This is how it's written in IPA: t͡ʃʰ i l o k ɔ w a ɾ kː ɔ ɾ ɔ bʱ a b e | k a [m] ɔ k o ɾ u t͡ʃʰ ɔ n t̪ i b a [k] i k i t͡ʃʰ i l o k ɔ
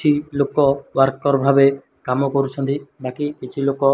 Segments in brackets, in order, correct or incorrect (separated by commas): correct, correct